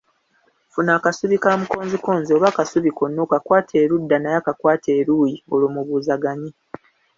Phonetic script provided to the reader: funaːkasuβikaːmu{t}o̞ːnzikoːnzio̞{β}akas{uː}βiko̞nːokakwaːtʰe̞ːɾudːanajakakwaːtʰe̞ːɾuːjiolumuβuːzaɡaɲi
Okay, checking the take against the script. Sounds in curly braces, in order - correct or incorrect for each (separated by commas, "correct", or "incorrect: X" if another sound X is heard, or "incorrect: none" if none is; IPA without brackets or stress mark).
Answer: incorrect: k, correct, incorrect: u